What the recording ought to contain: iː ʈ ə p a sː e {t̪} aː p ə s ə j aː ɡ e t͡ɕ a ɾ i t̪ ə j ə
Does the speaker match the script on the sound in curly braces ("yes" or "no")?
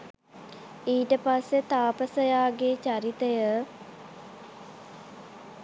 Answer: yes